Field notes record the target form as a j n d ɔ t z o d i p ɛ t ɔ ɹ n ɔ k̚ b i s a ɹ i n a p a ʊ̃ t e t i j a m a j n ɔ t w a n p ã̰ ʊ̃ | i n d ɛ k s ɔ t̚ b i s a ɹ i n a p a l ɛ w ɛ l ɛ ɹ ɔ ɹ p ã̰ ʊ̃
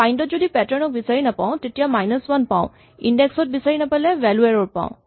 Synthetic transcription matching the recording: a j n d ɔ t z o d i p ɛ t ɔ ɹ n ɔ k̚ b i s a ɹ i n a p a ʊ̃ t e t i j a m a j n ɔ s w a n p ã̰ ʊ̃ | i n d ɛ k s ɔ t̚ b i s a ɹ i n a p a l ɛ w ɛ l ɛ ɹ ɔ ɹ p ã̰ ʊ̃

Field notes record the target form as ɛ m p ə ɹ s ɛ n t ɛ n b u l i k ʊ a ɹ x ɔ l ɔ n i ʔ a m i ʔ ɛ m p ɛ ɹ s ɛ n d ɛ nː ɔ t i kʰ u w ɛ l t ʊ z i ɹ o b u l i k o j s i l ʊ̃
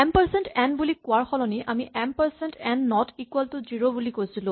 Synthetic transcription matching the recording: ɛ m p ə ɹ s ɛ n t ɛ n b u l i k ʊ a ɹ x ɔ l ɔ n i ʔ a m i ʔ ɛ m p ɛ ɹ s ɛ n t ɛ nː ɔ t i k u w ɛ l t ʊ z i ɹ o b u l i k o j s i l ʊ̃

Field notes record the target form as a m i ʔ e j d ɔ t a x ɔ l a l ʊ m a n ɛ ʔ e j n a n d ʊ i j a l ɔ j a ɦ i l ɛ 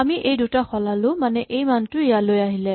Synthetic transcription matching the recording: a m i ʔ e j d u t a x ɔ l a l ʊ m a n ɛ ʔ e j m a n t ʊ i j a l o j a ɦ i l ɛ

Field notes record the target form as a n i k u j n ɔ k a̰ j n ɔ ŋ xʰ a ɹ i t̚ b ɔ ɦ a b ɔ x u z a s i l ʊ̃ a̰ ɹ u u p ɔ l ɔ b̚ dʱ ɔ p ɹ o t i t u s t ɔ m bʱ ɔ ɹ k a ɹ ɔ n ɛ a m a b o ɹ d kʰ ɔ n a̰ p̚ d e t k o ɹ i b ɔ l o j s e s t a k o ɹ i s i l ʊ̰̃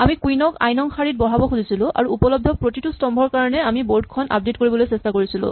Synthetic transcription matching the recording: a m i k u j n ɔ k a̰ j n ɔ ŋ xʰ a ɹ i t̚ b ɔ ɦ a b ɔ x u z i s i l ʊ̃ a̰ ɹ u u p ɔ l ɔ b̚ dʱ ɔ p ɹ o t i t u s t ɔ m bʱ ɔ ɹ k a ɹ ɔ n ɛ a m i b o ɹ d kʰ ɔ n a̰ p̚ d e t k o ɹ i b ɔ l o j s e s t a k o ɹ i s i l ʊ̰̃

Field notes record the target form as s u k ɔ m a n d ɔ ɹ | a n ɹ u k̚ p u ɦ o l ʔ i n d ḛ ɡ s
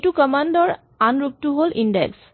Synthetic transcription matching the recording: t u k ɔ m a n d ɔ ɹ | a n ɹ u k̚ t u ɦ o l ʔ i n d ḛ k s

